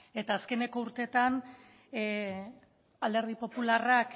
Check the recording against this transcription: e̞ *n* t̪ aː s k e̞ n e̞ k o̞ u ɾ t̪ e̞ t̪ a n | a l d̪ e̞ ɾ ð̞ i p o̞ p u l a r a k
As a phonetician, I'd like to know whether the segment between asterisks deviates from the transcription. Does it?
yes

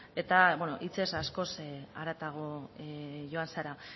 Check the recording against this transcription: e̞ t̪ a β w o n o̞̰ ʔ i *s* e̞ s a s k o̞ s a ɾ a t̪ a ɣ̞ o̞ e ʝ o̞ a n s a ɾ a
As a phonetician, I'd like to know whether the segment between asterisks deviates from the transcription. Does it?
yes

